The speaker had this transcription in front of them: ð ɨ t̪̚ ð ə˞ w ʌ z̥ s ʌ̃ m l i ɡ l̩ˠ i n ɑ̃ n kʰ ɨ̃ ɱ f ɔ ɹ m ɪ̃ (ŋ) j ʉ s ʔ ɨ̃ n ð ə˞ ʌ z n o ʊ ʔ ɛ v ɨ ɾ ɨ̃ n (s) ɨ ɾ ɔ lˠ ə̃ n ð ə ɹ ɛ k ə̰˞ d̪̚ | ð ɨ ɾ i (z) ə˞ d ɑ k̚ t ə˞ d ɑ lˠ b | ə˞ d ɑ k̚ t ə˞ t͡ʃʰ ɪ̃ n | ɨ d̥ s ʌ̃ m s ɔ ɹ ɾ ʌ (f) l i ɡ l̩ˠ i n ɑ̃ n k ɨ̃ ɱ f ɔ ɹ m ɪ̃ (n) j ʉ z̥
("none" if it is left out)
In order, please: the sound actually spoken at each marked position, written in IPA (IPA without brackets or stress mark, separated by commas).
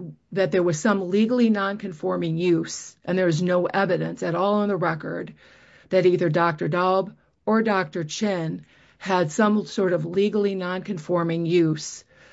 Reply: ŋ, s, ð, v, ŋ